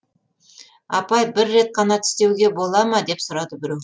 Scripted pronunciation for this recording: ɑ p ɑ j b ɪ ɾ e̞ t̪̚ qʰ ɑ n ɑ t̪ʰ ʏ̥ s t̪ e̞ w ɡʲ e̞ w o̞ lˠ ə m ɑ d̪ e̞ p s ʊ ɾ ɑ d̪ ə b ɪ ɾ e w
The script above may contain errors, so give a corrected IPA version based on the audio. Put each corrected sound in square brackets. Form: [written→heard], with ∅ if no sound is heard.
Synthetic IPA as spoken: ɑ p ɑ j b ɪ [ɾ→ɾː] e̞ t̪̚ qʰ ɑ n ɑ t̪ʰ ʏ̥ s t̪ e̞ w ɡʲ e̞ [w→b] o̞ lˠ [ə→ɑ] m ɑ d̪ e̞ p s ʊ ɾ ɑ d̪ ə b ɪ ɾ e w